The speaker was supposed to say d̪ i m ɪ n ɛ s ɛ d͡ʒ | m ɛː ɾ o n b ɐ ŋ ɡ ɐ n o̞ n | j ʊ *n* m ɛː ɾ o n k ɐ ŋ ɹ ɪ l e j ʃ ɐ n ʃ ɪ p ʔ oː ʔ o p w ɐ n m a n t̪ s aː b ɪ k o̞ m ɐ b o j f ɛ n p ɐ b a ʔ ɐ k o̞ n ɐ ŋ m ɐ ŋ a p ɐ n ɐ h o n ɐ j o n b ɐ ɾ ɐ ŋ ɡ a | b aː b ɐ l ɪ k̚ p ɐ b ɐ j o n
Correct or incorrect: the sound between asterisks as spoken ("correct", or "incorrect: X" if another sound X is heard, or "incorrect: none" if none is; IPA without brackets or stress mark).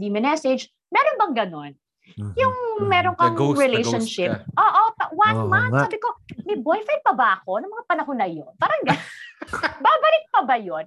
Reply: incorrect: ŋ